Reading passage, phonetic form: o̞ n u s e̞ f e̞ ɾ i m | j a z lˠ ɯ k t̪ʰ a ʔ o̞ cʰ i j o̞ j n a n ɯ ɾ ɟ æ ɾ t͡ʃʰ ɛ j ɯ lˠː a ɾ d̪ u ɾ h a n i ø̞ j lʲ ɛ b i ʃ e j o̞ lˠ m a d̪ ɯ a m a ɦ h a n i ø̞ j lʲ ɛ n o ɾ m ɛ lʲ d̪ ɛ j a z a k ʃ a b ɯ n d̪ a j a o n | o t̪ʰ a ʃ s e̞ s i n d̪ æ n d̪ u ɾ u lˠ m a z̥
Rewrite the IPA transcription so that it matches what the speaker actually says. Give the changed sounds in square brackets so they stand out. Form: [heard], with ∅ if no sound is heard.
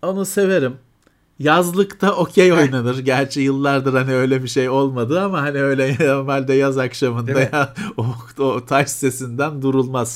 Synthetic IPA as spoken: o̞ n u s e̞ [v] e̞ ɾ i m | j a z lˠ ɯ k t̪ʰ a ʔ o̞ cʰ [e] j o̞ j n a n ɯ ɾ ɟ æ ɾ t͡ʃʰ ɛ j ɯ lˠː a ɾ d̪ [ɯ] ɾ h a n i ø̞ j lʲ ɛ b i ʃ e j o̞ lˠ m a d̪ ɯ a m a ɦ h a n i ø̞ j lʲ ɛ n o ɾ m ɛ lʲ d̪ ɛ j a z a k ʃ a [m] ɯ n d̪ a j a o [∅] | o t̪ʰ a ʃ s e̞ s i n d̪ æ n d̪ u ɾ u lˠ m a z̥